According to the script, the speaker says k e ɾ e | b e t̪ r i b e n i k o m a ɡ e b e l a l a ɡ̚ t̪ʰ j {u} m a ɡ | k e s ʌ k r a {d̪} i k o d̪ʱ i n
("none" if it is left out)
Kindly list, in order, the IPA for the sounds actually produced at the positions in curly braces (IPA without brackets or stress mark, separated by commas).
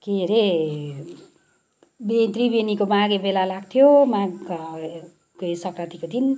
o, t̪